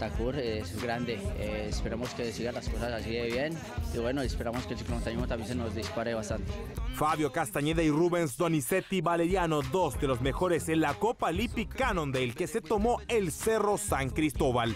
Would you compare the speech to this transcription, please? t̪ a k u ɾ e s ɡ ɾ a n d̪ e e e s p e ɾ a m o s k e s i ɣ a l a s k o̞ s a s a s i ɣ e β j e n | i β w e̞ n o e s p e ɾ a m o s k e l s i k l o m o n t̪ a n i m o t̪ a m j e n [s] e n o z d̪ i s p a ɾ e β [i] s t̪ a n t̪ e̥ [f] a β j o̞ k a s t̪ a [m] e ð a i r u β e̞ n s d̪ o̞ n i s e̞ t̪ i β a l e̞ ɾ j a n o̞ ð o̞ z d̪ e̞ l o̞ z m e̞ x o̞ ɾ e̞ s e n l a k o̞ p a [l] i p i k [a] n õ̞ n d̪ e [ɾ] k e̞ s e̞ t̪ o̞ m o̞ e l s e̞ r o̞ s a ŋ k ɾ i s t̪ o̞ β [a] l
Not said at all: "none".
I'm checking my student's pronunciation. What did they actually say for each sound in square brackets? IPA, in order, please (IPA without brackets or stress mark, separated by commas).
s, a, f, ɲ, l, a, l, a